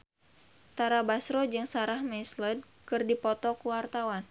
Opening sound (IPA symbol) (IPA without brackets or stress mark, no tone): t̪